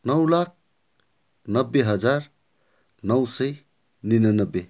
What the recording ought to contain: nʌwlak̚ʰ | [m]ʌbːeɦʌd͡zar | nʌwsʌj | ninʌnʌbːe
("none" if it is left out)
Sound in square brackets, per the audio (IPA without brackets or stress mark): n